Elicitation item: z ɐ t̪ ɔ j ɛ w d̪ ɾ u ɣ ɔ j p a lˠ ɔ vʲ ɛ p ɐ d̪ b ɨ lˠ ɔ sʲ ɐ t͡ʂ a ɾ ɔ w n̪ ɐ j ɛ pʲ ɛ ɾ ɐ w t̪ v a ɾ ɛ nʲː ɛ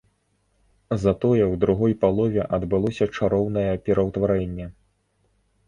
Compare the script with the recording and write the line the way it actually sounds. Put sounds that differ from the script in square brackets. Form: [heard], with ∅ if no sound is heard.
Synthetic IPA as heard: z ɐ t̪ ɔ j ɛ w d̪ ɾ u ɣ ɔ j p a lˠ ɔ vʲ ɛ [ʔ] ɐ d̪ b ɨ lˠ ɔ sʲ ɐ t͡ʂ a ɾ ɔ w n̪ ɐ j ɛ pʲ ɛ ɾ ɐ w t̪ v a ɾ ɛ nʲː ɛ